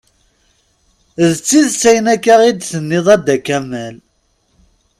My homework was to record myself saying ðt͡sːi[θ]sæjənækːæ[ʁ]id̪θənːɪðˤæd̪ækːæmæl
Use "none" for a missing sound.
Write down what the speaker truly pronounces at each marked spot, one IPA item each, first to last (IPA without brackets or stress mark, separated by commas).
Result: ð, ʁ